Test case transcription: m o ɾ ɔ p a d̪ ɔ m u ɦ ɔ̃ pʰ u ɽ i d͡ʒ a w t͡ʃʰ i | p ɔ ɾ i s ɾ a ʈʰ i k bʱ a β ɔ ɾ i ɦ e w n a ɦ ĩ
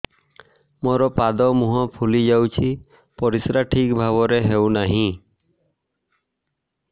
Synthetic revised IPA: m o ɾ ɔ p a d̪ ɔ m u ɦ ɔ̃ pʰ u l i d͡ʒ a w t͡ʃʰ i | p ɔ ɾ i s ɾ a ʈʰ i k bʱ a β ɔ ɾ e ɦ e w n a ɦ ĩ